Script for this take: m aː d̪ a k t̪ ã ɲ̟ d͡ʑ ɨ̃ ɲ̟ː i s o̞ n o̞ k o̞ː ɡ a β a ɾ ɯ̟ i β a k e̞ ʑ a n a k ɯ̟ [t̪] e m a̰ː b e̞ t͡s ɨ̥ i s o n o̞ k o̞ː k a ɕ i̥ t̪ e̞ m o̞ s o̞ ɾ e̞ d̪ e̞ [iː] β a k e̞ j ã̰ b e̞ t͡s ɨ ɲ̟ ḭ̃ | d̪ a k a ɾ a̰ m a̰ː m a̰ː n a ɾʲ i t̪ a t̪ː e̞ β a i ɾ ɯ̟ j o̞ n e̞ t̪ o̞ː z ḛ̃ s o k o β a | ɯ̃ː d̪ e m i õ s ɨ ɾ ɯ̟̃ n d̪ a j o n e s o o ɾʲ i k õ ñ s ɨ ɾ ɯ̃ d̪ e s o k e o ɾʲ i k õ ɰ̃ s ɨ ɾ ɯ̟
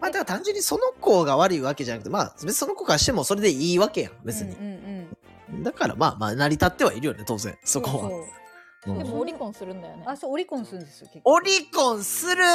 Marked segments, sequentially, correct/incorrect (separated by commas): correct, correct